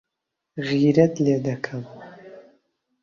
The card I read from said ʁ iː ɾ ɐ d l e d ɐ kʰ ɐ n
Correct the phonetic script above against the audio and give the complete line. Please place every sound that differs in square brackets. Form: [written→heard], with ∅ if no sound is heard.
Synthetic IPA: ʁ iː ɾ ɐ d l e d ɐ kʰ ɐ [n→m]